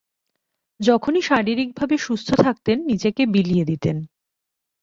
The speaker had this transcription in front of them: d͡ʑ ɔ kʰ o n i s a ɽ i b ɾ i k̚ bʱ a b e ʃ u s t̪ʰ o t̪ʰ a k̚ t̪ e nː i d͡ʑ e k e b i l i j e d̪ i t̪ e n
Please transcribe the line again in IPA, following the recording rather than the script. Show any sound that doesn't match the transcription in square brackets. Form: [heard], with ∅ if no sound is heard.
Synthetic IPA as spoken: d͡ʑ ɔ kʰ o n i [ʃ] a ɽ i [∅] ɾ i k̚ bʱ a b e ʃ u s t̪ʰ o t̪ʰ a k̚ t̪ e nː i d͡ʑ e k e b i l i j e d̪ i t̪ e n